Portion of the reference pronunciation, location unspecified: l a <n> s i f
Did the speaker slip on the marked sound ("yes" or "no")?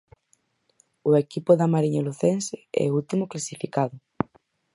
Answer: yes